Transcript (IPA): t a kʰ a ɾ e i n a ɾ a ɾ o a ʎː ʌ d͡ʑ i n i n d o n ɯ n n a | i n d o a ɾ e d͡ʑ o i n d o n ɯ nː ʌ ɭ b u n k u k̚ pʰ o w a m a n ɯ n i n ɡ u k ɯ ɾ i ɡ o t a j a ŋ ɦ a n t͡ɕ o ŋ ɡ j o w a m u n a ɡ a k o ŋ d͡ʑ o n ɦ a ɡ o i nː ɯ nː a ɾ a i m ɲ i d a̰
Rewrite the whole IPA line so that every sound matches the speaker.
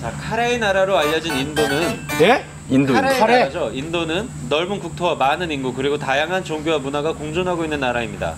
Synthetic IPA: t͡ɕ a kʰ a ɾ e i n a ɾ a ɾ o a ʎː ʌ d͡ʑ i n i n d o n ɯ n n e | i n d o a ɾ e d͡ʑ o i n d o n ɯ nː ʌ ɭ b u n k u k̚ tʰ o w a m a n ɯ n i n ɡ u k ɯ ɾ i ɡ o t a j a ŋ ɦ a n t͡ɕ o ŋ ɡ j o w a m u n a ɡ a k o ŋ d͡ʑ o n ɦ a ɡ o i nː ɯ nː a ɾ a i m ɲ i d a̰